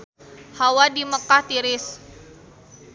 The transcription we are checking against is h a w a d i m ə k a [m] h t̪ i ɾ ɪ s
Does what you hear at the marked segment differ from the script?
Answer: yes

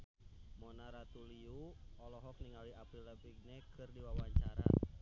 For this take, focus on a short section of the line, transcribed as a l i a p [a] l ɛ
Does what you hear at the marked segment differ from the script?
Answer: yes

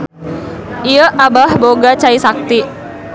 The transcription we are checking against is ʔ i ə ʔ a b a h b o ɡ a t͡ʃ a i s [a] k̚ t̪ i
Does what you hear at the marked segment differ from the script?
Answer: no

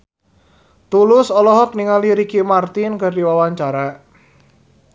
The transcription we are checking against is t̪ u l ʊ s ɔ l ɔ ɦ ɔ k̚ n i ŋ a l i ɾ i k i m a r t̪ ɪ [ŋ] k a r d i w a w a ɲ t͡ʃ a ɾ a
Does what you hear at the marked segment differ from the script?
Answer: yes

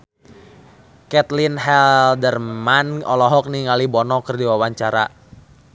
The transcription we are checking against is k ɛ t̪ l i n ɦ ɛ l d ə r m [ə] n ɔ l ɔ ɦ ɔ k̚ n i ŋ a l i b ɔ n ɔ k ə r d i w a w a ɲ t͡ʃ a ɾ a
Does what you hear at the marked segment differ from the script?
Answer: yes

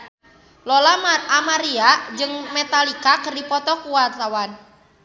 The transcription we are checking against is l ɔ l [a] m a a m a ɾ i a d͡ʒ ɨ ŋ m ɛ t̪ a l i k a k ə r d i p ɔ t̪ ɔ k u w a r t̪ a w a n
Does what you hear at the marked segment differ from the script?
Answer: no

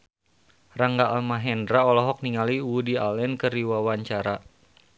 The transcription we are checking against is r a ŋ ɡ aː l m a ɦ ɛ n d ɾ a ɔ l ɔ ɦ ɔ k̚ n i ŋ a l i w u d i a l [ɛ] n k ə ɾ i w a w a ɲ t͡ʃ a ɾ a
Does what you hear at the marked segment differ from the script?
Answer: no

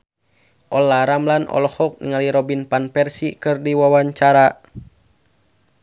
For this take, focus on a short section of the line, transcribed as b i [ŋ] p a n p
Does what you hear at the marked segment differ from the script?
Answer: yes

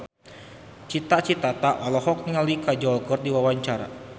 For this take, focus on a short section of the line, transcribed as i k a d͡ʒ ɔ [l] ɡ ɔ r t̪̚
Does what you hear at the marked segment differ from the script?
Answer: no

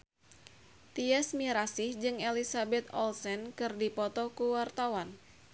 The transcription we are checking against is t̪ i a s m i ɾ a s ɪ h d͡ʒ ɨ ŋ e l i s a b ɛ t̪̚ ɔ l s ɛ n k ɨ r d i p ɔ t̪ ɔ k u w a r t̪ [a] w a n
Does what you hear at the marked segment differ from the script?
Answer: no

